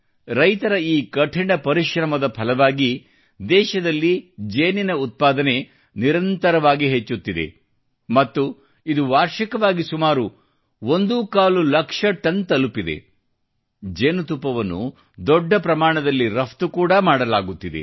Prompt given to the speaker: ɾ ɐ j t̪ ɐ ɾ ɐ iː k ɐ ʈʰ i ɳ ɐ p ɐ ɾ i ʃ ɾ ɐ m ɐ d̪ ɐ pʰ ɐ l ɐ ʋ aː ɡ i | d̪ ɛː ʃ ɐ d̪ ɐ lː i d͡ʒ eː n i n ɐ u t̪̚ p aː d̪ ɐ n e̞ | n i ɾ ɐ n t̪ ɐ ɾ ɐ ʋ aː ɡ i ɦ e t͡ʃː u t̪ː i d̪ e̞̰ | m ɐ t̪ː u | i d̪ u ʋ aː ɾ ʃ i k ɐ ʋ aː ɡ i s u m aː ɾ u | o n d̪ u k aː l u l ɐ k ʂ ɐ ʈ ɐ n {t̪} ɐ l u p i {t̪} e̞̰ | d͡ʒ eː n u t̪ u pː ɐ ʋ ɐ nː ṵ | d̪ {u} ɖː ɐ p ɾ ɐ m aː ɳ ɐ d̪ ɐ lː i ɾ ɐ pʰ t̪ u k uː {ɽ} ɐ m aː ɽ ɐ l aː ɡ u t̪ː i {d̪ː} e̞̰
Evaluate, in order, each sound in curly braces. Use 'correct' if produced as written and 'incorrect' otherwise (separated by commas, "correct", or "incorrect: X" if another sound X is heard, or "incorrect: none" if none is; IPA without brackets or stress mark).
correct, incorrect: d̪, incorrect: ɔ, correct, incorrect: d̪